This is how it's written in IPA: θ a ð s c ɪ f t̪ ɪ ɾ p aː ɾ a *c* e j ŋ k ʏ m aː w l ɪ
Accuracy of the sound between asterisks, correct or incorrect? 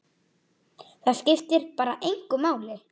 incorrect